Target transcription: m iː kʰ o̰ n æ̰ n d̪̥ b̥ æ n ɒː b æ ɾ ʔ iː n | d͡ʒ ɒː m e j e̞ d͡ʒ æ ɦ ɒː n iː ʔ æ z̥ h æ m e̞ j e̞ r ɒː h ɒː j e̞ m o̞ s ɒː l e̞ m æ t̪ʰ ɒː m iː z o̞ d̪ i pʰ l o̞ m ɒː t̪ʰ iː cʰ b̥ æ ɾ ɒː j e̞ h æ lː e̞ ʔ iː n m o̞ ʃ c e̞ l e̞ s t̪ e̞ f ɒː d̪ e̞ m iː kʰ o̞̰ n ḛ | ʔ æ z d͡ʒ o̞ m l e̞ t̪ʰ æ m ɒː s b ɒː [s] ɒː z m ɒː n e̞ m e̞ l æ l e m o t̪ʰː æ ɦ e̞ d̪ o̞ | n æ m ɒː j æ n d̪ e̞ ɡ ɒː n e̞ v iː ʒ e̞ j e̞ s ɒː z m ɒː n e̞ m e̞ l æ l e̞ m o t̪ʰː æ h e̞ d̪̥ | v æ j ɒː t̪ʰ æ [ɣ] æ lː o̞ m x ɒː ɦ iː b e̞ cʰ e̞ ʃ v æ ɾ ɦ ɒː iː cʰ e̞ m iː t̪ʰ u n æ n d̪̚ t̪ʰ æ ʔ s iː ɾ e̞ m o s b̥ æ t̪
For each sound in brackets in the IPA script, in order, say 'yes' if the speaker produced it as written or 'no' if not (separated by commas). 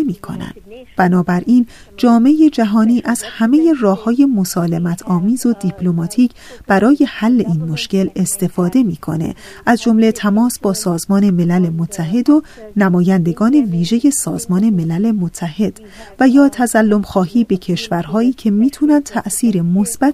yes, no